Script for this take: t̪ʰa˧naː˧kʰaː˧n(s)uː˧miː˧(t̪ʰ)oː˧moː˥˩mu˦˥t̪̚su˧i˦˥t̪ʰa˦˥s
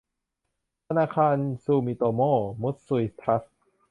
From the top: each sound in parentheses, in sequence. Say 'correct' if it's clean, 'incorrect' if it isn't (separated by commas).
correct, incorrect